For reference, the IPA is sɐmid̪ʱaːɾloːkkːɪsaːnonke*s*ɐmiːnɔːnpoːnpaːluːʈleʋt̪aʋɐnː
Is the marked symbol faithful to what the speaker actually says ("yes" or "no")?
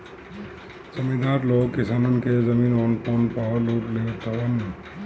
no